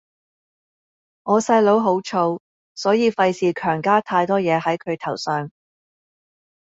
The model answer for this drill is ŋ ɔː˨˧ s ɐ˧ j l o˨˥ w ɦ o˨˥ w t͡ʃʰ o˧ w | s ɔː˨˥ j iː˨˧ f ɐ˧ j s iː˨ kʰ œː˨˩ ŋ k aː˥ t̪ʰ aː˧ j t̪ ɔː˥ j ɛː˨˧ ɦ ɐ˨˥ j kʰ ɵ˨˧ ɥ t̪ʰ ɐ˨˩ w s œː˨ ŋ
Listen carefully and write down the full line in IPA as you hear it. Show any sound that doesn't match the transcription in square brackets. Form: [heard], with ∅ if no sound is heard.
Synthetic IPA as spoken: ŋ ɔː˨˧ s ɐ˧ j l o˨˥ w ɦ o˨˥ w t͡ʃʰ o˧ w | s ɔː˨˥ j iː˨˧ f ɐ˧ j s iː˨ kʰ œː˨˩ ŋ k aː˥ t̪ʰ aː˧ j t̪ ɔː˥ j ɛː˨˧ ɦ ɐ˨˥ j kʰ ɵ˨˧ ɥ t̪ʰ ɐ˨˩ w s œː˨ ŋ